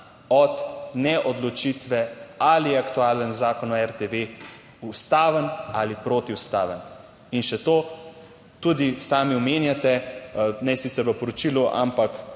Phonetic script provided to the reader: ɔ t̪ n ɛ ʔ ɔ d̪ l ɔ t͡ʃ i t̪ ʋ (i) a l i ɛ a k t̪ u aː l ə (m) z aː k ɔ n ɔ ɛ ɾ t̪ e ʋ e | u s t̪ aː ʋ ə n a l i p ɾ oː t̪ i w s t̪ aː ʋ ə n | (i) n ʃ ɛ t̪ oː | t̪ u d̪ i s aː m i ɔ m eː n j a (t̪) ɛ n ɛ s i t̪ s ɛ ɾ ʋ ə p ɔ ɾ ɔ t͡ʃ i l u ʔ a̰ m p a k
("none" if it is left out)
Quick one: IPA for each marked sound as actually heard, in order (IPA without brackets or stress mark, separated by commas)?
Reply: ɛ, n, i, t̪